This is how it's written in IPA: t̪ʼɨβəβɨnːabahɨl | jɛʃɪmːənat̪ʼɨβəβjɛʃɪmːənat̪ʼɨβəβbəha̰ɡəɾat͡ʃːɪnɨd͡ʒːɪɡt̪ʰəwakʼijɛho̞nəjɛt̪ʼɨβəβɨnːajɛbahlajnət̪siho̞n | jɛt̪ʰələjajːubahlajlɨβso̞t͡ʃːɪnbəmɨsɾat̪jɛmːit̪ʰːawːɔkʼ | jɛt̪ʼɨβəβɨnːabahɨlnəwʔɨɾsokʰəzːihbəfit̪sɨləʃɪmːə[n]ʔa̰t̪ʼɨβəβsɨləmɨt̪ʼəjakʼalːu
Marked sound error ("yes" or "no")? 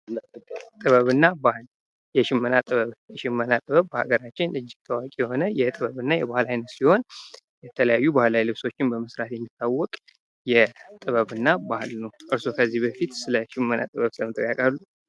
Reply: no